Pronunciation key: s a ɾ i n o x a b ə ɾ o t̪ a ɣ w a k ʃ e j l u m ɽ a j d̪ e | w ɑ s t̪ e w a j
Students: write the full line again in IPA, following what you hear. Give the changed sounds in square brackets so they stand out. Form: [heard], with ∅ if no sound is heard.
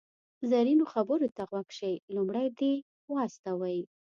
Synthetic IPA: [z] a ɾ i n o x a b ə ɾ o t̪ a ɣ w a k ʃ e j l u m ɽ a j d̪ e | w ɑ s t̪ [a] w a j